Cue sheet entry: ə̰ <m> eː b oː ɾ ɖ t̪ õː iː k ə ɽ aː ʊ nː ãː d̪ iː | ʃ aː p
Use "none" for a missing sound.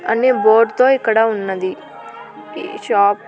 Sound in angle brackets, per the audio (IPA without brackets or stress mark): n